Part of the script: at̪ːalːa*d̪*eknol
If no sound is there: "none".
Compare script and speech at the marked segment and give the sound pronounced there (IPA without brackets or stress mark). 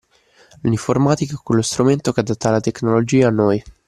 t̪